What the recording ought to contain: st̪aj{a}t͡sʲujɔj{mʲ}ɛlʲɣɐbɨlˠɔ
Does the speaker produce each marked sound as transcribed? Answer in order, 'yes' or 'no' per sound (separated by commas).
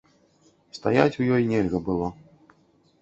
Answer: yes, no